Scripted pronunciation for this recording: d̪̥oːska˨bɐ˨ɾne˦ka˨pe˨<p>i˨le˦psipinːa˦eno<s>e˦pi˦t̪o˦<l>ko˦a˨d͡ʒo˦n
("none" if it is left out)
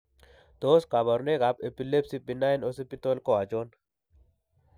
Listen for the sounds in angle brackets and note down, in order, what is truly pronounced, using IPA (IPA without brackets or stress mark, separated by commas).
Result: p, s, l